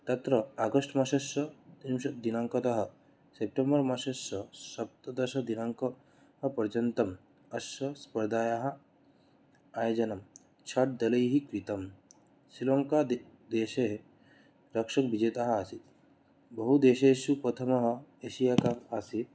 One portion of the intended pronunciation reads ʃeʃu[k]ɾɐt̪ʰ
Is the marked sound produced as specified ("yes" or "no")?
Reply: no